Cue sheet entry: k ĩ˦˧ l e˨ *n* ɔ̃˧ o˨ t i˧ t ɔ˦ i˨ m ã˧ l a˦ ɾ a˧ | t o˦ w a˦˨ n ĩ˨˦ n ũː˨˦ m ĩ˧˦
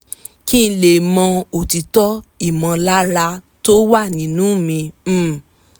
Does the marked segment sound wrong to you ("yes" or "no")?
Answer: yes